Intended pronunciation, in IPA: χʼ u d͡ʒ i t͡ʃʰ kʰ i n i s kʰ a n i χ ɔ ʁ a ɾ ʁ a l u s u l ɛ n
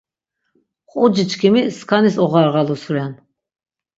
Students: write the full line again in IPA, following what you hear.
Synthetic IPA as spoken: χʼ u d͡ʒ i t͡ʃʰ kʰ i m i s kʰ a n i s ɔ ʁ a ɾ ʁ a l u s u ɾ ɛ n